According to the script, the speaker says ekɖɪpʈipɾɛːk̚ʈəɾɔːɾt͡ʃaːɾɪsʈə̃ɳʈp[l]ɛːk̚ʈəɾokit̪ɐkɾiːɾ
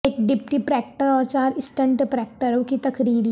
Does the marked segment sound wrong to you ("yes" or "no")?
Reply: yes